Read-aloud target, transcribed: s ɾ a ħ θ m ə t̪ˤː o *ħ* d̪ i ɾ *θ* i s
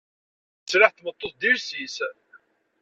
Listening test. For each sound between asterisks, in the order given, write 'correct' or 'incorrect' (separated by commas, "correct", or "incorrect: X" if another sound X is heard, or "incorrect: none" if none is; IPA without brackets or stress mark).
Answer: incorrect: θ, incorrect: s